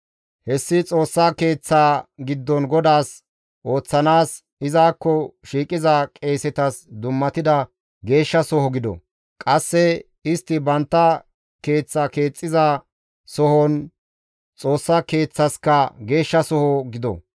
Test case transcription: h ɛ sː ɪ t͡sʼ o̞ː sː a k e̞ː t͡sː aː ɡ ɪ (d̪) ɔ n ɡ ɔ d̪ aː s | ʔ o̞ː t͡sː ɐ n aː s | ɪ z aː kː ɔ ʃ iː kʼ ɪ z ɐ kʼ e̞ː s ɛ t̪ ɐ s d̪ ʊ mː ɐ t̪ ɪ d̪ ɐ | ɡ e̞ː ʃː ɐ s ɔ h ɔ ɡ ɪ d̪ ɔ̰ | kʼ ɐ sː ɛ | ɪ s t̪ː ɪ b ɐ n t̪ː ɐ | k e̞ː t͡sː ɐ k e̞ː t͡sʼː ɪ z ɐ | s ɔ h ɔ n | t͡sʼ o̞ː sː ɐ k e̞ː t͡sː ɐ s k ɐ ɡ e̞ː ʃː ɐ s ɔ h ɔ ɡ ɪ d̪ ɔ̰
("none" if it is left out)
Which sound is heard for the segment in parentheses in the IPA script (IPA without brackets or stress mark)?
d̪ː